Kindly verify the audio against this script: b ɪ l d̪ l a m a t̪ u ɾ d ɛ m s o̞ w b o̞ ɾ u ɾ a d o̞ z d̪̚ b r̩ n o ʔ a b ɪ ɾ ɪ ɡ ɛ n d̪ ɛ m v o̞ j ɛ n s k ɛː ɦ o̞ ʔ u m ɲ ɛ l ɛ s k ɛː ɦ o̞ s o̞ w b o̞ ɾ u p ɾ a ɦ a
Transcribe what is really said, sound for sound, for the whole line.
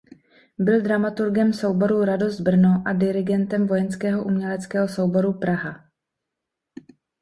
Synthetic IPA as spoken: b ɪ l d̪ ɾ a m a t̪ u ɾ ɡ ɛ m s o̞ w b o̞ ɾ u ɾ a d o̞ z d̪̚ b r̩ n o ʔ a d ɪ ɾ ɪ ɡ ɛ n t̪ ɛ m v o̞ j ɛ n s k ɛː ɦ o̞ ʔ u m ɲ ɛ l ɛ t͡s k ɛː ɦ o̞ s o̞ w b o̞ ɾ u p ɾ a ɦ a